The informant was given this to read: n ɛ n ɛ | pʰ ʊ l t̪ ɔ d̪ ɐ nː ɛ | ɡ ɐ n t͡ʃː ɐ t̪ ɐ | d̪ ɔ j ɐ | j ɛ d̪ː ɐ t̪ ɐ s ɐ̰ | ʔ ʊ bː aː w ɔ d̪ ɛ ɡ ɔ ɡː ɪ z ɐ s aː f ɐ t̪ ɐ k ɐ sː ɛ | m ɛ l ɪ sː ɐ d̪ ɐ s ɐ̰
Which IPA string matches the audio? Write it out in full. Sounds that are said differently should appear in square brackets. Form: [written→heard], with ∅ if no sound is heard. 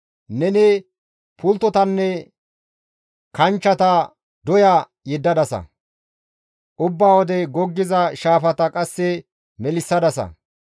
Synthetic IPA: n ɛ n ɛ | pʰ ʊ l t̪ ɔ [d̪→t̪] ɐ nː ɛ | [ɡ→k] ɐ n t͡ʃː ɐ t̪ ɐ | d̪ ɔ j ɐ | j ɛ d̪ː ɐ [t̪→d̪] ɐ s ɐ̰ | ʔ ʊ bː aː w ɔ d̪ ɛ ɡ ɔ ɡː ɪ z ɐ [s→ʃ] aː f ɐ t̪ ɐ [k→kʼ] ɐ sː ɛ | m ɛ l ɪ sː ɐ d̪ ɐ s ɐ̰